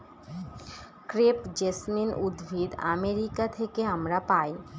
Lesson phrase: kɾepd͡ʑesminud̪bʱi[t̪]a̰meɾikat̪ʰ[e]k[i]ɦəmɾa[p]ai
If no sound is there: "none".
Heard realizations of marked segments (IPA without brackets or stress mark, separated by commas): d̪, e, e, p